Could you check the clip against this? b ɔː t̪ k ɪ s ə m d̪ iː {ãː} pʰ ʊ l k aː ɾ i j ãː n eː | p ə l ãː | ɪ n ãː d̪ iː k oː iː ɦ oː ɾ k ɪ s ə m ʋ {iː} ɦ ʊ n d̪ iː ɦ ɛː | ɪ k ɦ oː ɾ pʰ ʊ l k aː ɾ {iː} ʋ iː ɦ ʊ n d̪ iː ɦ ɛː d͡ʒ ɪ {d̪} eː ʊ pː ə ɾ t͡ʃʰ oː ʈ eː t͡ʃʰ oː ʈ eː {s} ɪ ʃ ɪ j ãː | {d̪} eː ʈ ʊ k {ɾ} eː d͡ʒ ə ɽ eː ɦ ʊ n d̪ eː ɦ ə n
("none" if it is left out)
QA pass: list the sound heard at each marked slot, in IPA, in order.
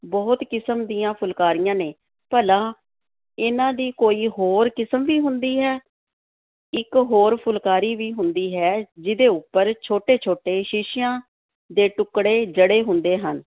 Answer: ãː, iː, iː, d̪, ʃ, d̪, ɽ

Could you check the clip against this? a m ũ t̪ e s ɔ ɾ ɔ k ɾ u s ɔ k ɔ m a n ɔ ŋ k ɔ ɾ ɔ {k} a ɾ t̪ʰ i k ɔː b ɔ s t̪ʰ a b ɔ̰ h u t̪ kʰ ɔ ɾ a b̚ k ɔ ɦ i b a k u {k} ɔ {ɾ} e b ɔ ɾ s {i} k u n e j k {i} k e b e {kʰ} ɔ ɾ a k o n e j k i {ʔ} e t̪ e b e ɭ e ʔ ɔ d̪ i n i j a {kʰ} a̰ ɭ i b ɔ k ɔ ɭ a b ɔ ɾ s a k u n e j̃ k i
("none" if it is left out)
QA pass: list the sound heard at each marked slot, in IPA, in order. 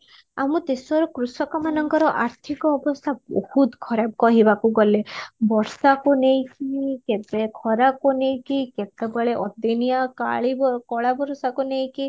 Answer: ʔ, ɡ, l, a, i, kʰ, k, k

